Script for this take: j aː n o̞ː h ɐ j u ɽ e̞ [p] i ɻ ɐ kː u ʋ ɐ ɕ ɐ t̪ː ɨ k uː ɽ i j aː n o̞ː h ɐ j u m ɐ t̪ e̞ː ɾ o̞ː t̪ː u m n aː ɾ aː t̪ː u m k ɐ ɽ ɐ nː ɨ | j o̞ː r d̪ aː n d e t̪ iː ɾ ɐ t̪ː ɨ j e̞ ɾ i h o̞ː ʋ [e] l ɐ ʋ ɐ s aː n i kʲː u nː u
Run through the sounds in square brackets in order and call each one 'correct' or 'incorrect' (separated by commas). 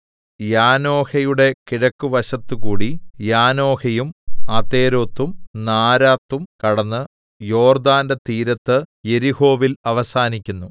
incorrect, incorrect